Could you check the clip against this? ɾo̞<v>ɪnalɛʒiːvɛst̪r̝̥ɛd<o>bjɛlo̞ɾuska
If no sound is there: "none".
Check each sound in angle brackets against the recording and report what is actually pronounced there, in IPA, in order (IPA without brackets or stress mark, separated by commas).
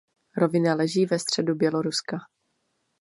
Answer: v, u